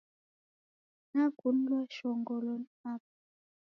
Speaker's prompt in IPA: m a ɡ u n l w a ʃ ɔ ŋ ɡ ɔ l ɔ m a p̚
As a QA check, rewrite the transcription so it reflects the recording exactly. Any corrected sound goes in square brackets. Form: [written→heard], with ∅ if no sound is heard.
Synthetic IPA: [m→n] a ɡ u n l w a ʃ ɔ ŋ ɡ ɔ l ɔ [m→n] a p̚

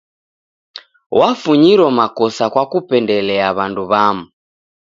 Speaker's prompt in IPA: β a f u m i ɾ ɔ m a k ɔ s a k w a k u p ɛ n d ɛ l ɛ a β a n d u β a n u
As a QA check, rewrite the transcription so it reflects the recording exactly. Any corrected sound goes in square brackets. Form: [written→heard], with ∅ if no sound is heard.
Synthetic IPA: [β→w] a f u [m→ɲ] i ɾ ɔ m a k ɔ s a k w a k u p ɛ n d ɛ l ɛ a β a n d u β a [n→m] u

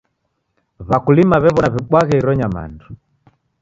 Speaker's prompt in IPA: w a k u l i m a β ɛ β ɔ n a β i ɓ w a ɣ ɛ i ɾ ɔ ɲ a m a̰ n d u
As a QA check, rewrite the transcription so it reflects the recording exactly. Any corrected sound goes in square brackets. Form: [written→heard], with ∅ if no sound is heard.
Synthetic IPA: [w→β] a k u l i m a β ɛ β ɔ n a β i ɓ w a ɣ ɛ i ɾ ɔ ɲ a m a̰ n d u

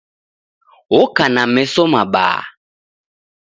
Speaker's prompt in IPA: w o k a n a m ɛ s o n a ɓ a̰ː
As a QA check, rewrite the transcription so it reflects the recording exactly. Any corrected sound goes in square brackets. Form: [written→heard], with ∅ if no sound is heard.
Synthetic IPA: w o k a n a m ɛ s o [n→m] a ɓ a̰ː

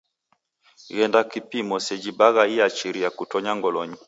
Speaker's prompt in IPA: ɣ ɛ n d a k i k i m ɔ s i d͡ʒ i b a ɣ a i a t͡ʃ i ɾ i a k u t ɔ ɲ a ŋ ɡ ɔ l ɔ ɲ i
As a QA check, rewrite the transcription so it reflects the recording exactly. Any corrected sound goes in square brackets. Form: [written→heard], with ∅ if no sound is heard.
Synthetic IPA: ɣ ɛ n d a k i [k→p] i m ɔ s [i→ɛ] d͡ʒ i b a ɣ a i a t͡ʃ i ɾ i a k u t ɔ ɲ a ŋ ɡ ɔ l ɔ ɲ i

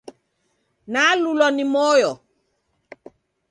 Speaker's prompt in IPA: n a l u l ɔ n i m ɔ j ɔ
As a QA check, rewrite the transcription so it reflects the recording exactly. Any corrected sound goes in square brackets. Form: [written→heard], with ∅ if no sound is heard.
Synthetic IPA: n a l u l ɔ n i m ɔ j ɔ

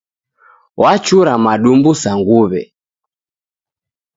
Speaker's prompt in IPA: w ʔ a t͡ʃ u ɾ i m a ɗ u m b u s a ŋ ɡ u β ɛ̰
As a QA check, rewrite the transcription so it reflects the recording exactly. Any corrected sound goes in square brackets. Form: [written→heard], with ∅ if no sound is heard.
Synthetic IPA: w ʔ a t͡ʃ u ɾ [i→a] m a ɗ u m b u s a ŋ ɡ u β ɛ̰

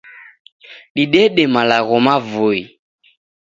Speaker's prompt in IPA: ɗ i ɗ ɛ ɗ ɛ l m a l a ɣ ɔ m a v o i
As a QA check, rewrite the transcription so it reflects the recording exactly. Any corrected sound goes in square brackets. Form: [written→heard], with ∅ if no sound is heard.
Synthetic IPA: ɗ i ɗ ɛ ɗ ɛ [l→∅] m a l a ɣ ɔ m a v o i

